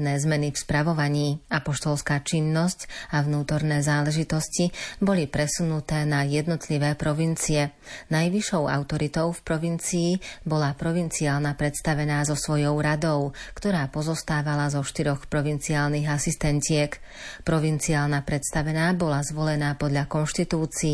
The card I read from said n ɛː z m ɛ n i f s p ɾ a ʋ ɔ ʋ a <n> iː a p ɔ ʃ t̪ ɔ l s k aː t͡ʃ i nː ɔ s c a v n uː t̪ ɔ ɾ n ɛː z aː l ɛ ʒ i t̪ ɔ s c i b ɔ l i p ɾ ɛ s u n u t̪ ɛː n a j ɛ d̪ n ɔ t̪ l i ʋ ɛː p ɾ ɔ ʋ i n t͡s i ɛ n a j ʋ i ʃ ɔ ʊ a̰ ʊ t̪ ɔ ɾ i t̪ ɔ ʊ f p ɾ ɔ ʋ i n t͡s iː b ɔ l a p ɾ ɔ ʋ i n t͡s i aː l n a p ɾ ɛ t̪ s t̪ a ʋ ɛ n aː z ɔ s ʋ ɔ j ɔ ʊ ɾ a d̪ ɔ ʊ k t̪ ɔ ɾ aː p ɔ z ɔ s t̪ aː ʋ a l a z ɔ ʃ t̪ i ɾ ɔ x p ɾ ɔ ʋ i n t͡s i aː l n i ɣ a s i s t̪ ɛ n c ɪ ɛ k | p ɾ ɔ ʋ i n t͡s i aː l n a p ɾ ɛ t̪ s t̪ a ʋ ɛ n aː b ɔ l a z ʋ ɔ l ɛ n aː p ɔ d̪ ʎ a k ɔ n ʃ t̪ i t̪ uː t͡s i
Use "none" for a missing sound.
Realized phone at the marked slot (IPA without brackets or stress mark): ɲ